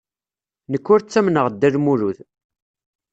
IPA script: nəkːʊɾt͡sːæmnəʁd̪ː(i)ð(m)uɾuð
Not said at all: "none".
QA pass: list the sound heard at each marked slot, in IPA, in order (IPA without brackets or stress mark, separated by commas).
æ, m